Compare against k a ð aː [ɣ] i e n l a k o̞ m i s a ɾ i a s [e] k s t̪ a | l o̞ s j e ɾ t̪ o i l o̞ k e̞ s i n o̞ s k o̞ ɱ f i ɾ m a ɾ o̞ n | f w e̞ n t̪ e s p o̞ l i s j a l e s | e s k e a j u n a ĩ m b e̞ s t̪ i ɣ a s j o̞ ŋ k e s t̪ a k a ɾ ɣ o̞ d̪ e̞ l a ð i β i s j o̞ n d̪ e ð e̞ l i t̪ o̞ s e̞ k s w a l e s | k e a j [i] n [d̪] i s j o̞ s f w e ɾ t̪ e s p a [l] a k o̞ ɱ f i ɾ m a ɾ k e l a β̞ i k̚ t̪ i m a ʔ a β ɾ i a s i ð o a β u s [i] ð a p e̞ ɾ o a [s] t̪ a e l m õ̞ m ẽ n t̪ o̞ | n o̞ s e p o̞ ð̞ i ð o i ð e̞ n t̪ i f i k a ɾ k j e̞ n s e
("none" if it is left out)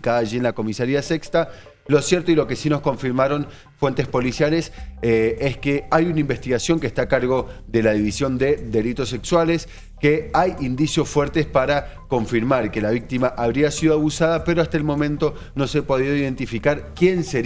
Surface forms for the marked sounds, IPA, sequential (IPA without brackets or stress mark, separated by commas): ʒ, e, i, d̪, ɾ, a, s